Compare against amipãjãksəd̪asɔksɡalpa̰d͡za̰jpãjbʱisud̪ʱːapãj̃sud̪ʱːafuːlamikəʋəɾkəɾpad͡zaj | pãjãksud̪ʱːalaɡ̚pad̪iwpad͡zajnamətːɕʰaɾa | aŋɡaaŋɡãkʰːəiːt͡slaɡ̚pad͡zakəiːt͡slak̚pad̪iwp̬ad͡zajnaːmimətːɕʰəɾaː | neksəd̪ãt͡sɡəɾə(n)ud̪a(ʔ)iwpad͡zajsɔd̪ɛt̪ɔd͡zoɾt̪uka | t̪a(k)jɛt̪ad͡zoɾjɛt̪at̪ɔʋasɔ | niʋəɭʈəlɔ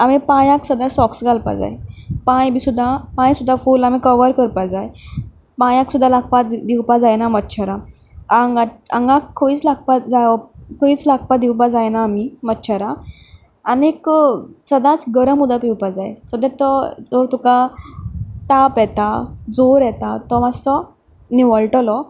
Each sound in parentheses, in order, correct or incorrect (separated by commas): incorrect, incorrect, incorrect